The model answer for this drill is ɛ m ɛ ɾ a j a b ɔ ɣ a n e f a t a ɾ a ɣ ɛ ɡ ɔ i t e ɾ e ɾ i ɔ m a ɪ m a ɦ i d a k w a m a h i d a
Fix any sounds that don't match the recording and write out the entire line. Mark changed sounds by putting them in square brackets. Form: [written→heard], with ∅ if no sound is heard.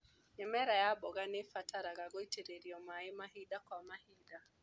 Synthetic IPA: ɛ m ɛ ɾ a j a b ɔ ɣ a n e f a t a ɾ a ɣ [ɛ→a] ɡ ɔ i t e ɾ e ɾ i ɔ m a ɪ m a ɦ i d a k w a m a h i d a